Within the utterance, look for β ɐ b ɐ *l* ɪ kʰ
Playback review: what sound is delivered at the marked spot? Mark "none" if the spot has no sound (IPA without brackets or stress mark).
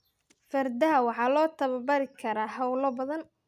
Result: ɾ